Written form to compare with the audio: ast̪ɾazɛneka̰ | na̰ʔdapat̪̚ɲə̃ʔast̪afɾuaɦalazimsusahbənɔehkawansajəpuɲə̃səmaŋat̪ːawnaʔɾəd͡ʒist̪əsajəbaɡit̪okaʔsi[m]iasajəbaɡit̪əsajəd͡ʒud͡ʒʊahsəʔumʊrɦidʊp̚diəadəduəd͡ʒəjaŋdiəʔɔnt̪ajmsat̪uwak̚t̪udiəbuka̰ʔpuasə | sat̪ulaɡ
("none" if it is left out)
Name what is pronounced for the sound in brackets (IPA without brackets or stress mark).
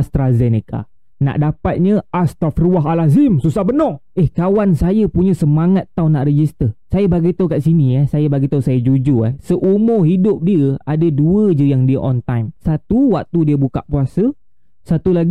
n